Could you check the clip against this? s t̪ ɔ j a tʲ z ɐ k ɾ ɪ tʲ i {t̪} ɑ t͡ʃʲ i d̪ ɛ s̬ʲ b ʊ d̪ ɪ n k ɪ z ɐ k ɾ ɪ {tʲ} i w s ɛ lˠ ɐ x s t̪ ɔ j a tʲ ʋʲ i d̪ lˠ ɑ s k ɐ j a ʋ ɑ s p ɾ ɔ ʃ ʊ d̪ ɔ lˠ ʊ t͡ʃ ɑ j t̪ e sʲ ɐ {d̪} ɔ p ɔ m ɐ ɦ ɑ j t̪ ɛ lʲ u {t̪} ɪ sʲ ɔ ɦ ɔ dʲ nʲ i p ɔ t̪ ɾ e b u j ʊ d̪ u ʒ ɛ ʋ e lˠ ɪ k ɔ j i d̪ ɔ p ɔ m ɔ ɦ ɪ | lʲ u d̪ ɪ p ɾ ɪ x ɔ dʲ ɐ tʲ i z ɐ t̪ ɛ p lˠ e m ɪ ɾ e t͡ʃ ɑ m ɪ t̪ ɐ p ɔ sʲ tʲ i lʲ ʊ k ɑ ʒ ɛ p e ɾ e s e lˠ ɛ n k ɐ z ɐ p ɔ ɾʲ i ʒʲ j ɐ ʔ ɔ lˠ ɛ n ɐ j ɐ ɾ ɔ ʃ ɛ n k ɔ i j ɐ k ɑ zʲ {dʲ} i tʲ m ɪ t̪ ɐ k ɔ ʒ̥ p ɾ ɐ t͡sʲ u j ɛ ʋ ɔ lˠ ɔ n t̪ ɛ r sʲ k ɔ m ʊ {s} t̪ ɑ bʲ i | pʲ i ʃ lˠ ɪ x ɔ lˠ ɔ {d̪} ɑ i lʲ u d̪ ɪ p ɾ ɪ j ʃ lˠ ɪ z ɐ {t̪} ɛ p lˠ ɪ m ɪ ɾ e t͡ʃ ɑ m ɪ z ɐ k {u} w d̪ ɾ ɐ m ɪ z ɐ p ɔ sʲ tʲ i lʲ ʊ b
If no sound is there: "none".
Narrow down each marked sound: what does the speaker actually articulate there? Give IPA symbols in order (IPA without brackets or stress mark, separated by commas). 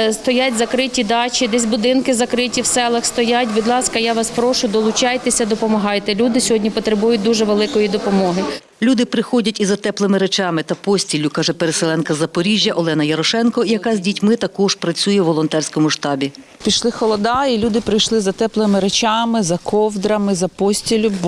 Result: d̪, tʲ, d̪, d̪, dʲ, ʃ, d̪, t̪, ɔ